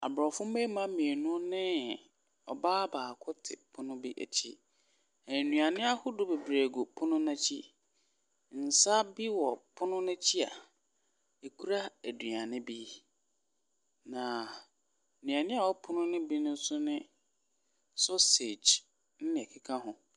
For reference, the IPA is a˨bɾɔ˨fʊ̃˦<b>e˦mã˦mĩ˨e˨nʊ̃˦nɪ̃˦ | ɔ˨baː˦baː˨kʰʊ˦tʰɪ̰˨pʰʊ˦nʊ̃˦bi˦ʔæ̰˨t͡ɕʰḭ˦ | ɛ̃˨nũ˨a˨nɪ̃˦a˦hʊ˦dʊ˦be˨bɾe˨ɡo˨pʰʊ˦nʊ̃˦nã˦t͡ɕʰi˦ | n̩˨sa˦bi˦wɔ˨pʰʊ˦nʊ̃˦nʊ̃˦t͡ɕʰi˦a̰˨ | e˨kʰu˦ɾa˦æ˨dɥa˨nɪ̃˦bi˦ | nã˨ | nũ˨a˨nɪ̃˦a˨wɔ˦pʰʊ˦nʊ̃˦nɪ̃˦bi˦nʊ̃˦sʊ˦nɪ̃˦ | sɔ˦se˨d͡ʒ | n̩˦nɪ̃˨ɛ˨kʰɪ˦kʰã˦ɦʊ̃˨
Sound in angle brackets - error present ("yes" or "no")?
yes